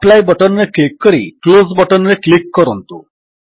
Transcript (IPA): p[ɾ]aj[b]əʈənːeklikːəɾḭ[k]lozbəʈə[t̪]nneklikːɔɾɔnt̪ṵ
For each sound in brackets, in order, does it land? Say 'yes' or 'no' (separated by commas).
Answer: no, yes, yes, no